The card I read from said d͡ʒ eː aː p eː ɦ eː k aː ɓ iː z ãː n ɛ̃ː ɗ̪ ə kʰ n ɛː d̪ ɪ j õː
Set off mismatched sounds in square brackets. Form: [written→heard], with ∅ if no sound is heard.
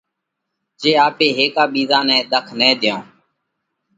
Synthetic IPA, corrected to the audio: d͡ʒ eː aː p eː ɦ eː k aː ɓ iː z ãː n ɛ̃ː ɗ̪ ə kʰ n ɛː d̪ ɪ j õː